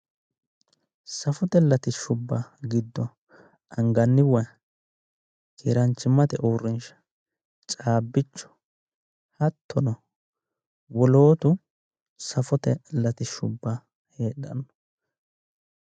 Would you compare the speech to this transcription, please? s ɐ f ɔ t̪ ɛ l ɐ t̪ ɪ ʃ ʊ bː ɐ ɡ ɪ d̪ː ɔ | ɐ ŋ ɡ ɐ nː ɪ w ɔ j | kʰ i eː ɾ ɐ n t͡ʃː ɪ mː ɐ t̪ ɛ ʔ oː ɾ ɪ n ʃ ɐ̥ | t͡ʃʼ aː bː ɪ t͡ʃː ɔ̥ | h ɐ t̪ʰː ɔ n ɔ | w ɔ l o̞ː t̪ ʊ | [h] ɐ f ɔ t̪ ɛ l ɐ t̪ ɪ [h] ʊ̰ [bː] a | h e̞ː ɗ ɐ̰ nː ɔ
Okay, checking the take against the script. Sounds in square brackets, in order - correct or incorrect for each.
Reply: incorrect: s, incorrect: ʃ, correct

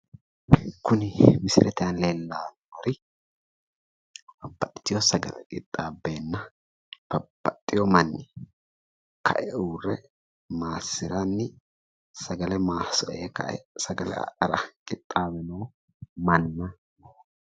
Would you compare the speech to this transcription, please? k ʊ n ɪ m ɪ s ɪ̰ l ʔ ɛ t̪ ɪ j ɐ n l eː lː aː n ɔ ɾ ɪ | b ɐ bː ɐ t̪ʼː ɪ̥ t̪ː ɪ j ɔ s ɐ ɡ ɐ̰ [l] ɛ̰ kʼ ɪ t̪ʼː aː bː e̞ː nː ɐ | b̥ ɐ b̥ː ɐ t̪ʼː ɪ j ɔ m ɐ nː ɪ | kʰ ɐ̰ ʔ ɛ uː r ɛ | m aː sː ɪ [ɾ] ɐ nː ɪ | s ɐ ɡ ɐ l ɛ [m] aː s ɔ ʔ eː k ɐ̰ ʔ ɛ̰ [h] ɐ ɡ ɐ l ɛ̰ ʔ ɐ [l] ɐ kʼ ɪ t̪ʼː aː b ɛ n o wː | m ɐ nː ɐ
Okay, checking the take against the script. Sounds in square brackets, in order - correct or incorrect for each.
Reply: correct, correct, correct, incorrect: s, incorrect: ɾ

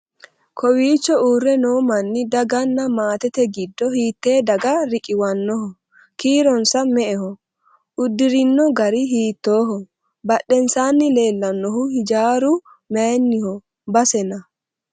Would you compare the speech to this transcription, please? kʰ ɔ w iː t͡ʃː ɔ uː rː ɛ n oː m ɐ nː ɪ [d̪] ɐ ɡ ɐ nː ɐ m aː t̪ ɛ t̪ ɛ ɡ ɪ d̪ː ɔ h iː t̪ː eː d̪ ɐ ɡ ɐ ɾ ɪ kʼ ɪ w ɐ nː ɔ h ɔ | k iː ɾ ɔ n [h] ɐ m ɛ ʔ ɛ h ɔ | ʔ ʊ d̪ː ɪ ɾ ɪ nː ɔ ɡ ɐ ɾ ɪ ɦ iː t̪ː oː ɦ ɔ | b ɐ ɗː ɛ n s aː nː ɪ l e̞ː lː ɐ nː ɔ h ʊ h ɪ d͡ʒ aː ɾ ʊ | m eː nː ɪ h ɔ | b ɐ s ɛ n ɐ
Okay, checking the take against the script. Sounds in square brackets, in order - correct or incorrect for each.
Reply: correct, incorrect: s

